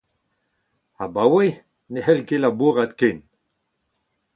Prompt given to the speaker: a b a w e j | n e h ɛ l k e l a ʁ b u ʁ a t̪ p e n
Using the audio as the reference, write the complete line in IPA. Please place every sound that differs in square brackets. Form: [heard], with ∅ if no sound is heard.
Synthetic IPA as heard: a b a w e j | n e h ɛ l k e l a [∅] b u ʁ a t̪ [k] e n